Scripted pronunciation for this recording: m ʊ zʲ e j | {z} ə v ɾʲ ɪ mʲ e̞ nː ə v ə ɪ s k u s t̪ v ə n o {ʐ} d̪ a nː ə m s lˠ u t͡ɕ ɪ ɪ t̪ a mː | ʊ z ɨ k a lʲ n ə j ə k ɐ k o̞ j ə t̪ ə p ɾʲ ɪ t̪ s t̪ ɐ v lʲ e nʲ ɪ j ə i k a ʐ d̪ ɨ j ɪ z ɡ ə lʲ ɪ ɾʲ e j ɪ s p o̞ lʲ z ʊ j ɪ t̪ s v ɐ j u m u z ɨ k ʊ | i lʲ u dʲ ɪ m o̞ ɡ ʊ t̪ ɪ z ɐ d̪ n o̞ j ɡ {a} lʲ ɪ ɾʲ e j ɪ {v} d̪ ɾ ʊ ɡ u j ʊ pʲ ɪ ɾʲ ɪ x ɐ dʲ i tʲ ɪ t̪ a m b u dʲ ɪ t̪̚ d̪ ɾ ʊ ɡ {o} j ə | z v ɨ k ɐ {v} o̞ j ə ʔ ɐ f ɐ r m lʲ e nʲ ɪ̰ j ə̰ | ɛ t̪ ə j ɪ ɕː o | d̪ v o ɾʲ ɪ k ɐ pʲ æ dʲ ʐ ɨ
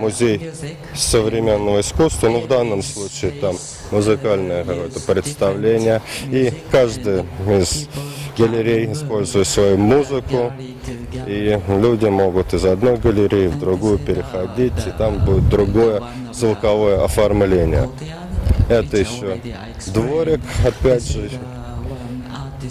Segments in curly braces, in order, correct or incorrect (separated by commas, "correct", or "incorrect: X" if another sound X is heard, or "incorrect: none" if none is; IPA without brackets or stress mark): incorrect: s, incorrect: v, incorrect: ə, correct, correct, correct